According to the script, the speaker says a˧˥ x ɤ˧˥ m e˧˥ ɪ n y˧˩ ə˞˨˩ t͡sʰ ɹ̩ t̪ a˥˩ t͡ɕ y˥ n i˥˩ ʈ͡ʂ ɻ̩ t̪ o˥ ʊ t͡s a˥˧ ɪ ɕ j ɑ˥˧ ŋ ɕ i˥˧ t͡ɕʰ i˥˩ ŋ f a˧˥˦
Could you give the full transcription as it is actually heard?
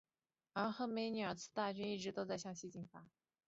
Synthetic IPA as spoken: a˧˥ x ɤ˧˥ m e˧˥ ɪ n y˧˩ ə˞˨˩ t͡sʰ ɹ̩ t̪ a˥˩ t͡ɕ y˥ n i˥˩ ʈ͡ʂ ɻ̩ t̪ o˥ ʊ t͡s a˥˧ ɪ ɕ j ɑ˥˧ ŋ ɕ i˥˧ t͡ɕ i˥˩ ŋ f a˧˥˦